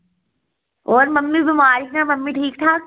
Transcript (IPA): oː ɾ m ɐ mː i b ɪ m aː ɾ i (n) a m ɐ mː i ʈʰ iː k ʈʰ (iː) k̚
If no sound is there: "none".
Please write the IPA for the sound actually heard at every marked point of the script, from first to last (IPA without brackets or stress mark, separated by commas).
n, aː